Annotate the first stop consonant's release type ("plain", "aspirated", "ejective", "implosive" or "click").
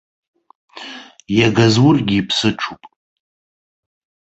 plain